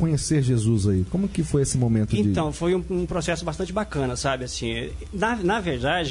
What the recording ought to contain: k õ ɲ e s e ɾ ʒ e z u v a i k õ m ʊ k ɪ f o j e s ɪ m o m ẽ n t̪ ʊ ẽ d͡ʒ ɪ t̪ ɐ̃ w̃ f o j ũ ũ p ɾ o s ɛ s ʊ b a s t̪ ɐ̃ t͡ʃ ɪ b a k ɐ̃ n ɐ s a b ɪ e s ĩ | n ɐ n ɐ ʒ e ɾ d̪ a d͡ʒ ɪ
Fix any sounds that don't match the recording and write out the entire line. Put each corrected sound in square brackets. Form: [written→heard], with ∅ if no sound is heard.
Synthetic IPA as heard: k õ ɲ e s e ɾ ʒ e z u [v→z] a i k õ m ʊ k ɪ f o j e s ɪ m o m ẽ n t̪ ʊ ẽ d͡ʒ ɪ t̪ ɐ̃ w̃ f o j ũ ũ p ɾ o s ɛ s ʊ b a s t̪ ɐ̃ t͡ʃ ɪ b a k ɐ̃ n ɐ s a b ɪ [e→a] s ĩ | n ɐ n ɐ [ʒ→v] e ɾ d̪ a d͡ʒ ɪ